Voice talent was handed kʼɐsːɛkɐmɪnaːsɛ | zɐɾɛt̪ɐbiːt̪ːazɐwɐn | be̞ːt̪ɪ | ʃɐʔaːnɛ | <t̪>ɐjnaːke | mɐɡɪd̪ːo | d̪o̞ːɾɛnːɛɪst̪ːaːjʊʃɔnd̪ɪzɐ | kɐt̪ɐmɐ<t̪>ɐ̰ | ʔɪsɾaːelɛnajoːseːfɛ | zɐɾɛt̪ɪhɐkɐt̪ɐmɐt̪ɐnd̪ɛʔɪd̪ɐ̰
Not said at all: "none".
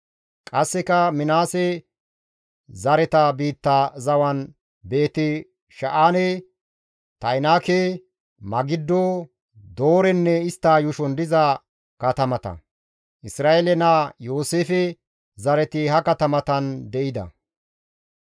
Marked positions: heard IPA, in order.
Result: t̪, t̪

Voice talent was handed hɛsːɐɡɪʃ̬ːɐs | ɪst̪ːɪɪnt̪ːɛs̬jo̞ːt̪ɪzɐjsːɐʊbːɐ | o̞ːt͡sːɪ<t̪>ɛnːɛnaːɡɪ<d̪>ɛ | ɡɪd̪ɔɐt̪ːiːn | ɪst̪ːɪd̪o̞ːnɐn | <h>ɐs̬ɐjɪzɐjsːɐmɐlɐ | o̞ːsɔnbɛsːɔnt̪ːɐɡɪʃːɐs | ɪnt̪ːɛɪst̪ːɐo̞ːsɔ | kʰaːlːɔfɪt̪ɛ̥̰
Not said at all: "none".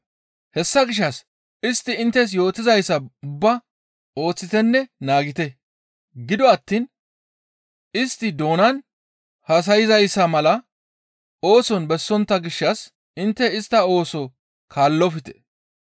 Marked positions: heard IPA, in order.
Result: t̪, t̪, h

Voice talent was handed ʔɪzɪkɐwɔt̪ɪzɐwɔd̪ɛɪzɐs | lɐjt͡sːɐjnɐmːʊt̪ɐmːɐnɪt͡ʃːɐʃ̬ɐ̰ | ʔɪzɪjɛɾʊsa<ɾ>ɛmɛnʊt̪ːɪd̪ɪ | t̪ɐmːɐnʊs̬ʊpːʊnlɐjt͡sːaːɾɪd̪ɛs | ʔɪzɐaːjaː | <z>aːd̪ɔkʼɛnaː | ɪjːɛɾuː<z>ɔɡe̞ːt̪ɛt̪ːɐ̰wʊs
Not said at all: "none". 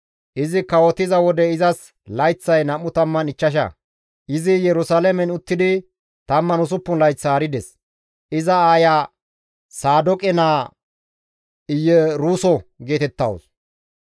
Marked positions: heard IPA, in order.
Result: l, s, s

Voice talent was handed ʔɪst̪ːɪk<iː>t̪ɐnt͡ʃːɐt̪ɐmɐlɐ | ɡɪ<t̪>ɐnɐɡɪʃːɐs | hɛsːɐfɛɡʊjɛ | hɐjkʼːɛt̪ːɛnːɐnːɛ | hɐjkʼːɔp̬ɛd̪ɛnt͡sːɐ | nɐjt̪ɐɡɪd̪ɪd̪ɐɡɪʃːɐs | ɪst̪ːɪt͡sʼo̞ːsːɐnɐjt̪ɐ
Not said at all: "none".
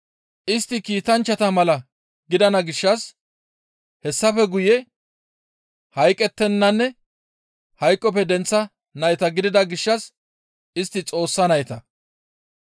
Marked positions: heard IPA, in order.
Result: iː, d̪

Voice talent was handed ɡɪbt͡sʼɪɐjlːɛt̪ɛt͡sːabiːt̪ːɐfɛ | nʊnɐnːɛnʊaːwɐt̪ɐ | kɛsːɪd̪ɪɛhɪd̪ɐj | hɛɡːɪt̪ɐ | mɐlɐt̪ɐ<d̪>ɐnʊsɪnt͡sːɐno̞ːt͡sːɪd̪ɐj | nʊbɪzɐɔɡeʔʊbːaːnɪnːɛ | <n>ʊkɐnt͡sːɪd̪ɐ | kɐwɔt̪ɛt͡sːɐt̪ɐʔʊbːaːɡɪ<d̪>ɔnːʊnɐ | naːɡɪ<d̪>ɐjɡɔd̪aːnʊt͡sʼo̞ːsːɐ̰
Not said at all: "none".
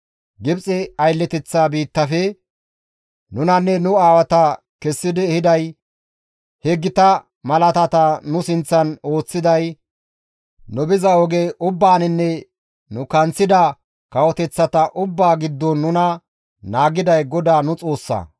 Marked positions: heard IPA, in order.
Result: t̪, n, d̪ː, d̪

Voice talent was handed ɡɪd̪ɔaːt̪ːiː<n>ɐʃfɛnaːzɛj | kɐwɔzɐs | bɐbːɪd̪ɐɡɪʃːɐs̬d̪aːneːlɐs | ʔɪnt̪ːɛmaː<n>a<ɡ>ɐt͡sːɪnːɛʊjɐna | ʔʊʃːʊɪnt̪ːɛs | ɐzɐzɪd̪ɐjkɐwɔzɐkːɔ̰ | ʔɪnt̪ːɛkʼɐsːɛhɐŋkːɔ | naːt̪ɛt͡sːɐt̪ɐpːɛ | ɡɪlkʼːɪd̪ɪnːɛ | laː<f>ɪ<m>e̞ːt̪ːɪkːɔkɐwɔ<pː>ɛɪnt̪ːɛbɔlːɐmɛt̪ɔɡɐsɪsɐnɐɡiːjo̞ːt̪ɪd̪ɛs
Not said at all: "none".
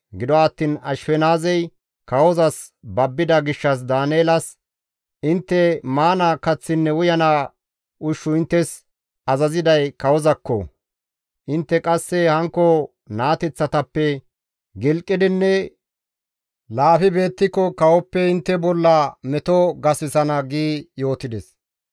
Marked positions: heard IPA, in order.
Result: n, n, k, f, b, pː

